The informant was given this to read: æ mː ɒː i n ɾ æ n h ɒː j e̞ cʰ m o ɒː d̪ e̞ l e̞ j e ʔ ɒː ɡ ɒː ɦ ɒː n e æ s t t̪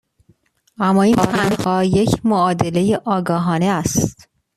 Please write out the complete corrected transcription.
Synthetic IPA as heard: æ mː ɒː i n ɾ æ n h ɒː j e̞ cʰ m o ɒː d̪ e̞ l e̞ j e ʔ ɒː ɡ ɒː ɦ ɒː n e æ s t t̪